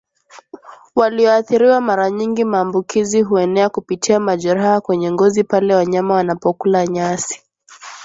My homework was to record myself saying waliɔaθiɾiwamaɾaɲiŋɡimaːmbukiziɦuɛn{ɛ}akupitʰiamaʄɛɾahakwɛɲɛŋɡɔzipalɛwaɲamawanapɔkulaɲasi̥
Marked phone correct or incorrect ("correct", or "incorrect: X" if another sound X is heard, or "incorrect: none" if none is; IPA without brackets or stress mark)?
correct